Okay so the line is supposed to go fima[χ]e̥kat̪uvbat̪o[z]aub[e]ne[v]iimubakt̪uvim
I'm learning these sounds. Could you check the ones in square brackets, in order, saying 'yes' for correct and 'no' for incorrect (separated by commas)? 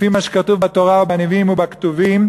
no, no, no, yes